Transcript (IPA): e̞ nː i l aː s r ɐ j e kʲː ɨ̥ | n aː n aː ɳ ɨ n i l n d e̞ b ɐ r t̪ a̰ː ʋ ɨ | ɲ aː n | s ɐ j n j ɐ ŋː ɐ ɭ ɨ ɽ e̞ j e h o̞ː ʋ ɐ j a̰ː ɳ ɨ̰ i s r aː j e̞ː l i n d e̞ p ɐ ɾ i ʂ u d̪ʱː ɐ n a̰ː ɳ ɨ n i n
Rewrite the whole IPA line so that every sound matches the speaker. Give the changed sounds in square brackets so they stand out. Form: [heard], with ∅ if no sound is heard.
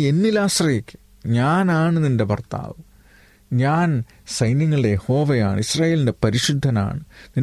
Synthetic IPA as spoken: e̞ nː i l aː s r ɐ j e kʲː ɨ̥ | [ɲ] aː n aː ɳ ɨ n i [∅] n d e̞ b ɐ r t̪ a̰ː ʋ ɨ | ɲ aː n | s ɐ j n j ɐ ŋː ɐ ɭ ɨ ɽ e̞ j e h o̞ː ʋ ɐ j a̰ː ɳ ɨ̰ i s r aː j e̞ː l i n d e̞ p ɐ ɾ i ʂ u d̪ʱː ɐ n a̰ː ɳ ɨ n i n